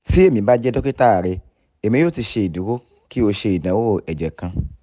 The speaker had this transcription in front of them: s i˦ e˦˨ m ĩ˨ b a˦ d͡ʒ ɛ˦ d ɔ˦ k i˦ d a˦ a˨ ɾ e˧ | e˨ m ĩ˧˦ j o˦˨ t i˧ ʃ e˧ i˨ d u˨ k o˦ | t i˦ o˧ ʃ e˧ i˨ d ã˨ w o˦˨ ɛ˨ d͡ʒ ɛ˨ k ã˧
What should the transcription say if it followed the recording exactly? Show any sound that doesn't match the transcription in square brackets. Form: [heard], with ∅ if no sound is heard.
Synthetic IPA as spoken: s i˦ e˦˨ m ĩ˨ b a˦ d͡ʒ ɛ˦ d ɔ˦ k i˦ [t] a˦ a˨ ɾ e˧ | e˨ m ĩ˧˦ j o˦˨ t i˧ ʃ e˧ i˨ d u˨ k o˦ | [k] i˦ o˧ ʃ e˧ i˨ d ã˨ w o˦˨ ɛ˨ d͡ʒ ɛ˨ k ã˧

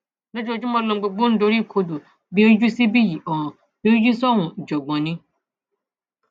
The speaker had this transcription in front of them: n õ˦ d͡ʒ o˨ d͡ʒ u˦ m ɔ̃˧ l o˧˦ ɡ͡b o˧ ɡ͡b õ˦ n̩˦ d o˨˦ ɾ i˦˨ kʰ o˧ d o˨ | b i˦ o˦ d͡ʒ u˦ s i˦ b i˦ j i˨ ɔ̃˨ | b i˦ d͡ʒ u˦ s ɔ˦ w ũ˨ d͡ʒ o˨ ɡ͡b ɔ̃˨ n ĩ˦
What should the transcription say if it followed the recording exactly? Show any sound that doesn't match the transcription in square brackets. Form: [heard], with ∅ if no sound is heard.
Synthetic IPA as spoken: n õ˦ d͡ʒ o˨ d͡ʒ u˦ m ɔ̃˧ l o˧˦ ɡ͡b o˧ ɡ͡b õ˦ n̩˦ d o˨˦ ɾ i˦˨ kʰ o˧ d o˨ | b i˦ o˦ d͡ʒ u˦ s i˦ b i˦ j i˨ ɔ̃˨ | b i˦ d͡ʒ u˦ s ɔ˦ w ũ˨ d͡ʒ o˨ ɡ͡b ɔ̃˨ n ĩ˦

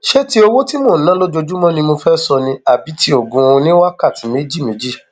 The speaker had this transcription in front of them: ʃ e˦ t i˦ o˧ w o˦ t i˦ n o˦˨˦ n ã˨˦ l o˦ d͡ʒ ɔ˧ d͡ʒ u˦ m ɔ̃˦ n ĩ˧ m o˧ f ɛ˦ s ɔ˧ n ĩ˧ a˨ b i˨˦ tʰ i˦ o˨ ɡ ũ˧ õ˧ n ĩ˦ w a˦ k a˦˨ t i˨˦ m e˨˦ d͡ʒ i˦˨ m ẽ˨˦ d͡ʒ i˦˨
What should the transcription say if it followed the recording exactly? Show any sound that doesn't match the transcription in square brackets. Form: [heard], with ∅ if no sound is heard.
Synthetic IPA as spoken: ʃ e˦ t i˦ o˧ w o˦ t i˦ [m] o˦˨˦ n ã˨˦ l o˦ d͡ʒ [o˧] d͡ʒ u˦ m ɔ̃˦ n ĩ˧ m o˧ f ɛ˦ s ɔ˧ n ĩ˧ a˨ b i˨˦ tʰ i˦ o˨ ɡ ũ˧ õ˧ n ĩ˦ w a˦ k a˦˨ t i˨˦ m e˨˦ d͡ʒ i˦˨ m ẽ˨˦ d͡ʒ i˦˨

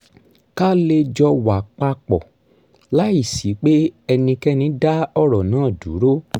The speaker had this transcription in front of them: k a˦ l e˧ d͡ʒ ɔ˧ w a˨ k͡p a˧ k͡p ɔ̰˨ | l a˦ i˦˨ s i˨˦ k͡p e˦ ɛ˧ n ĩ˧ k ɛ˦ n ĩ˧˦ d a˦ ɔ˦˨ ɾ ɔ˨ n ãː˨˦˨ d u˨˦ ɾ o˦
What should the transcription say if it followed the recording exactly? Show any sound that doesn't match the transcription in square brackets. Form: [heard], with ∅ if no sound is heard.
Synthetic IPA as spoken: k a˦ l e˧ d͡ʒ ɔ˧ w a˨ k͡p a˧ k͡p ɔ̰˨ | l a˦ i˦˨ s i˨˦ k͡p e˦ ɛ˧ n ĩ˧ k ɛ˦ n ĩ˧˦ d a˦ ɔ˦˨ ɾ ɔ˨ n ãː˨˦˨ d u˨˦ ɾ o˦

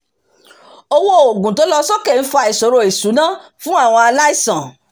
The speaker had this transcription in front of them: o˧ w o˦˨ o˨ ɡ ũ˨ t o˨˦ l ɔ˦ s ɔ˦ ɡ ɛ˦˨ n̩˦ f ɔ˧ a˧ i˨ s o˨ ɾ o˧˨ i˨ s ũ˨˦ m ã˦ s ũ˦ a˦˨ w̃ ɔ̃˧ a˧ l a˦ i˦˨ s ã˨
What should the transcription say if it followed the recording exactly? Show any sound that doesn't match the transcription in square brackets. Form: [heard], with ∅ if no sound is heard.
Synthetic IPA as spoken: o˧ w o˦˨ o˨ ɡ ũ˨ t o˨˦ l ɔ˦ s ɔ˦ [k] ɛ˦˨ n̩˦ f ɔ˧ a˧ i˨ s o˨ ɾ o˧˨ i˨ s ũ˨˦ [n] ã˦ [f] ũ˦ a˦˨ w̃ ɔ̃˧ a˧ l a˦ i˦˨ s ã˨

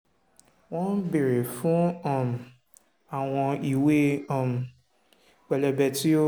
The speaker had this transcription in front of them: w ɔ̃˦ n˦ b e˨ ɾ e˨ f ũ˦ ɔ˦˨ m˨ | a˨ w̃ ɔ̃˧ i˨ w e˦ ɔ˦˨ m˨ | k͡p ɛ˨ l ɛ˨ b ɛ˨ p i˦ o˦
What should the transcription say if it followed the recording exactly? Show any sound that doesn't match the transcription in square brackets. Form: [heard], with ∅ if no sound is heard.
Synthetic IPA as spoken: w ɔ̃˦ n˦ b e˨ ɾ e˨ f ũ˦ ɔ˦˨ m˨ | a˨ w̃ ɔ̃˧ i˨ w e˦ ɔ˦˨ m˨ | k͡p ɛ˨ l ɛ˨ b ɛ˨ [t] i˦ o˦

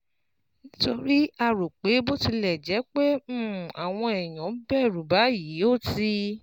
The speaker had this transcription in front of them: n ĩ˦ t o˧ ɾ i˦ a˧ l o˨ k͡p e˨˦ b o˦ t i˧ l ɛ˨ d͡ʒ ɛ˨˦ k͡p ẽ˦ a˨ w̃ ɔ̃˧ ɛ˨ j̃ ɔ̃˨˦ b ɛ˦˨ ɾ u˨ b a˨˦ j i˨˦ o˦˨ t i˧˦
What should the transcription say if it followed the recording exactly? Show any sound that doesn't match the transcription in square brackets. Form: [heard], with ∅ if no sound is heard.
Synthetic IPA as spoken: n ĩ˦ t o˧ ɾ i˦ a˧ [ɾ] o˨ k͡p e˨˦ b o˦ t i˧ l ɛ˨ d͡ʒ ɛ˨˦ k͡p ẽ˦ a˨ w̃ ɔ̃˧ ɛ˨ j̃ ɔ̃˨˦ b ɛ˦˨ ɾ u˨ b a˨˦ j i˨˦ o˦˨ t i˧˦

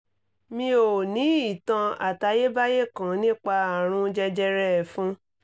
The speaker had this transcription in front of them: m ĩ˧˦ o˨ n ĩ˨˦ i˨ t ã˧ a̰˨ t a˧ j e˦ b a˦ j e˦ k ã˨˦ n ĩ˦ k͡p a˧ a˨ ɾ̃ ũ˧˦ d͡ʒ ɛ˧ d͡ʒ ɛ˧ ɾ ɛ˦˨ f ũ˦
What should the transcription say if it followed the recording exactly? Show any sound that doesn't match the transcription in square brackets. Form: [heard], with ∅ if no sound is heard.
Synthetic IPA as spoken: m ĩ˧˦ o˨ n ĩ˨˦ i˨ t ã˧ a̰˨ t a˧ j e˦ b a˦ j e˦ k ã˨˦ n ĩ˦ k͡p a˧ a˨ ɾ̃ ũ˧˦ d͡ʒ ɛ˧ d͡ʒ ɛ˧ ɾ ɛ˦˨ f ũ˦

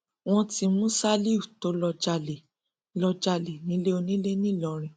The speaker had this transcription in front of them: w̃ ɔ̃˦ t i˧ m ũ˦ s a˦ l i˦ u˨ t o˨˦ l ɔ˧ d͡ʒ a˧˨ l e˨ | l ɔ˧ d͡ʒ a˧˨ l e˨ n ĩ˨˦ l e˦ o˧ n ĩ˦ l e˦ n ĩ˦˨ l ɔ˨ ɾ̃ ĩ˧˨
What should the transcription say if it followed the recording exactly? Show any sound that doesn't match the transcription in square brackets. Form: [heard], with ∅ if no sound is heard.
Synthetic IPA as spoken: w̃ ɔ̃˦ t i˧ m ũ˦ s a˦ l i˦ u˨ t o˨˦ l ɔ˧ d͡ʒ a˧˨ l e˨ | l ɔ˧ d͡ʒ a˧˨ l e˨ n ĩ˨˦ l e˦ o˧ n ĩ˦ l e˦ n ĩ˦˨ l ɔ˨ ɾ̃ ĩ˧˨

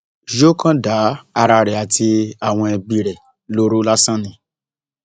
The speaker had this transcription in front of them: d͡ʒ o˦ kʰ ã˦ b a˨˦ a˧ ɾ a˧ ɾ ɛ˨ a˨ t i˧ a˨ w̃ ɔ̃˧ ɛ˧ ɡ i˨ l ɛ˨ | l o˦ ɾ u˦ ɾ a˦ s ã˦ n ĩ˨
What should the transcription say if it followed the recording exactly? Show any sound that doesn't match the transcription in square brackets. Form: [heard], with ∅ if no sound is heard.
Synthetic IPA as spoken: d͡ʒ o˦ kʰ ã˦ [d] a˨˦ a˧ ɾ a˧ ɾ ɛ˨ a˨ t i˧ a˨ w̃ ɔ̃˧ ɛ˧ [b] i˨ [ɾ] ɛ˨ | l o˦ ɾ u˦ [l] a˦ s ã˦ n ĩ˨

